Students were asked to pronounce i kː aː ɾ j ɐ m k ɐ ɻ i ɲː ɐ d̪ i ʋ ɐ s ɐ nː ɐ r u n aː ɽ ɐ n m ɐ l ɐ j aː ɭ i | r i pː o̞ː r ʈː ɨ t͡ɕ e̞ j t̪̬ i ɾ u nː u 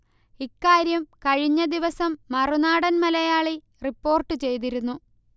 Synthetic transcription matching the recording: i kː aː ɾ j ɐ m k ɐ ɻ i ɲː ɐ d̪ i ʋ ɐ s ɐ mː ɐ r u n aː ɽ ɐ n m ɐ l ɐ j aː ɭ i | r i pː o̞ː r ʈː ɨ t͡ɕ e̞ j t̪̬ i ɾ u nː u